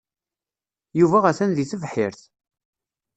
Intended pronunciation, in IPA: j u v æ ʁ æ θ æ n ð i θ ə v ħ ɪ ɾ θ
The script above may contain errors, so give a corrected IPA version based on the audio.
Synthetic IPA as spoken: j u v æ ʁ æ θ æ n ð i θ ə v ħ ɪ ɾ θ